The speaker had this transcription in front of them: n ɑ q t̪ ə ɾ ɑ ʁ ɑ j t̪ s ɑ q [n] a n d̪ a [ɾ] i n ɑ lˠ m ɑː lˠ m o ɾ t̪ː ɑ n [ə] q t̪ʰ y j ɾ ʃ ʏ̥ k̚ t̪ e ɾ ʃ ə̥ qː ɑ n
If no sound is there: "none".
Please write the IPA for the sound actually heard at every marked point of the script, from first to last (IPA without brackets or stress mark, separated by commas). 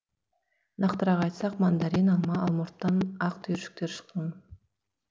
m, ɾ, ɑ